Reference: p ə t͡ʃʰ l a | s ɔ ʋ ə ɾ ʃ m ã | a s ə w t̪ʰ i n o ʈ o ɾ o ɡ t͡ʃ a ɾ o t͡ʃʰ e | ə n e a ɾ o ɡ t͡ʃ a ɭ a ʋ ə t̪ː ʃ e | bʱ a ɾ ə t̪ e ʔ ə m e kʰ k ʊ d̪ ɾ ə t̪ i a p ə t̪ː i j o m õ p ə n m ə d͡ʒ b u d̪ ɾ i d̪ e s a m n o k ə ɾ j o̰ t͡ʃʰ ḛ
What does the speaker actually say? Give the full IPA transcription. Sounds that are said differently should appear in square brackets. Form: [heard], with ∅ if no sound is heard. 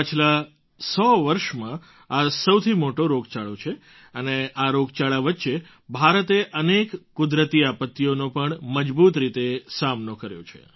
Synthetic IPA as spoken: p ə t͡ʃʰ l a | s ɔ ʋ ə ɾ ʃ m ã | a s ə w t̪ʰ i [m] o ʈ o ɾ o ɡ t͡ʃ a [ɭ] o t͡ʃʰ e | ə n e a ɾ o ɡ t͡ʃ a ɭ a ʋ ə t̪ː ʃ e | bʱ a ɾ ə t̪ e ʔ ə [n] e [k] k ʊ d̪ ɾ ə t̪ i a p ə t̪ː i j o [n] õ p ə [ɳ] m ə d͡ʒ b u [t̪] ɾ i [t̪] e s a m n o k ə ɾ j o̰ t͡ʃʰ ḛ